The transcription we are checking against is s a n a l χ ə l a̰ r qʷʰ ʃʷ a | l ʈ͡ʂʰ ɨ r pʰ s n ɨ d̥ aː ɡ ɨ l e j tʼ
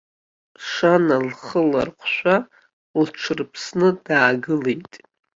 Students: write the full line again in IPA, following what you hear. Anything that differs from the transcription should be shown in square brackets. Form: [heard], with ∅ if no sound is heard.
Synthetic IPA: [ʂ] a n a l χ ə l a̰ r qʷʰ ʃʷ a | l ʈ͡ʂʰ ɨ r pʰ s n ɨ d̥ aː ɡ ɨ l e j tʼ